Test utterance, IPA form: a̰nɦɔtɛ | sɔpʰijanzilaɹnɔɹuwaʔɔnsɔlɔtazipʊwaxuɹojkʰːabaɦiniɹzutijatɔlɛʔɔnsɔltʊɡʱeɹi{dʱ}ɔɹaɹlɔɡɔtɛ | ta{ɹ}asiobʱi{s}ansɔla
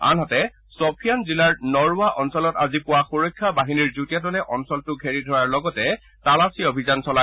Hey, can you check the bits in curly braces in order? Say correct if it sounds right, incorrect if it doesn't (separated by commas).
correct, incorrect, incorrect